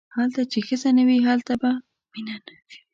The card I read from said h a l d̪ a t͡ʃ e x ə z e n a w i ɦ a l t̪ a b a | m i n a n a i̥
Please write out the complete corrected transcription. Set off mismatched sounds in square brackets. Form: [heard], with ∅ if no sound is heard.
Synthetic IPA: h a l [t̪] a t͡ʃ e x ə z [a] n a w i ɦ a l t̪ a b a | m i n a n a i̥